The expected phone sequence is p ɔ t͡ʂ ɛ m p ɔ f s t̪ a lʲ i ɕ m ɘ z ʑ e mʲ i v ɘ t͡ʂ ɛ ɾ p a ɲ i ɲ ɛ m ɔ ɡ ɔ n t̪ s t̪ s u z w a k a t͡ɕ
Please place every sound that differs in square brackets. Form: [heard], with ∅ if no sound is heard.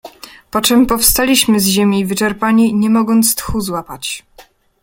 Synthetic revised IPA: p ɔ t͡ʂ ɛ m p ɔ f s t̪ a lʲ i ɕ m ɘ z ʑ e mʲ i v ɘ t͡ʂ ɛ ɾ p a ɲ i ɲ ɛ m ɔ ɡ ɔ n t̪ s t̪ [x] u z w a [p] a t͡ɕ